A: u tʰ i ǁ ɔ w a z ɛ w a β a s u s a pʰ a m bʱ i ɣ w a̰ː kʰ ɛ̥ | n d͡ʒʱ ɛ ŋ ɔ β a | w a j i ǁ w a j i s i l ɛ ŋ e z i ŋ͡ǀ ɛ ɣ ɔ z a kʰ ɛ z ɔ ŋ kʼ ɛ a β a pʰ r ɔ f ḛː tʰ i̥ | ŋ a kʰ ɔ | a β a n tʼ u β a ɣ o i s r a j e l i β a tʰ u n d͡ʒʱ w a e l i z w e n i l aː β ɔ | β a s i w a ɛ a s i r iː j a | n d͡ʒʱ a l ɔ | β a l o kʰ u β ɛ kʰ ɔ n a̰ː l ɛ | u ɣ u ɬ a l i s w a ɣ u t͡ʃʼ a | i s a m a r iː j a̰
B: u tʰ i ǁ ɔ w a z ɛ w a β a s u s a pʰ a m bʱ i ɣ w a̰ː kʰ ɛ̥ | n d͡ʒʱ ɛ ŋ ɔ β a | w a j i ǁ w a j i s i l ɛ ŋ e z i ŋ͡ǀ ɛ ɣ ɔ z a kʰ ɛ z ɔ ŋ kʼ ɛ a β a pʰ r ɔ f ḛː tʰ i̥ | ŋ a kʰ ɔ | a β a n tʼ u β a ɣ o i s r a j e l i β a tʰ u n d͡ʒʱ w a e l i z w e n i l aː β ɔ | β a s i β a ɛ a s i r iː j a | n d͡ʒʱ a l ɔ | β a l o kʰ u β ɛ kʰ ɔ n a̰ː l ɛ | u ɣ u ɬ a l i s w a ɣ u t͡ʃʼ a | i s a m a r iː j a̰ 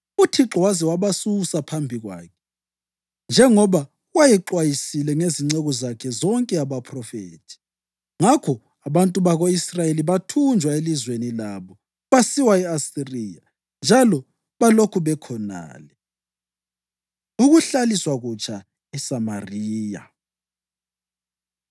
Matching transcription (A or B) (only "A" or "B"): A